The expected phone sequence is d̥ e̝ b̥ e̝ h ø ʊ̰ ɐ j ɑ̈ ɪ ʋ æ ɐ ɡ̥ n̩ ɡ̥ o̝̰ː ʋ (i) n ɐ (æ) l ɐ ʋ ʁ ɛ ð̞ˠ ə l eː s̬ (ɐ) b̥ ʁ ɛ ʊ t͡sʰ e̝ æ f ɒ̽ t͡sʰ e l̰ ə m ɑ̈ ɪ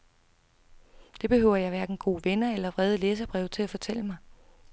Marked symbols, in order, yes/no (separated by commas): no, no, yes